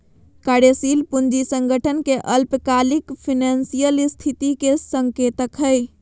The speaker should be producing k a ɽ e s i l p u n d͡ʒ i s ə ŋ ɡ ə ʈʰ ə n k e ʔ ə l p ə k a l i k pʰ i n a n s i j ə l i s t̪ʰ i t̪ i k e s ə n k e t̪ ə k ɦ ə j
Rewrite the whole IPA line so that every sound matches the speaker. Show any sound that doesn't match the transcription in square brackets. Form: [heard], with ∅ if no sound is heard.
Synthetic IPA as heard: k a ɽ e s i l p u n d͡ʒ i s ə ŋ ɡ ə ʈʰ ə n k e ʔ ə l p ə k a l i k pʰ i n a n s i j ə l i s t̪ʰ i t̪ i k e s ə [ŋ] k e t̪ ə k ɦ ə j